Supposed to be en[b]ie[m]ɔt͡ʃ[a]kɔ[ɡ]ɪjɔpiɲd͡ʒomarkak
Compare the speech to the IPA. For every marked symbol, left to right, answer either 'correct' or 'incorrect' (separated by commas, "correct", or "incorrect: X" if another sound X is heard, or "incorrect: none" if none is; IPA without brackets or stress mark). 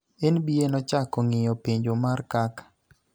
correct, incorrect: n, correct, incorrect: ŋ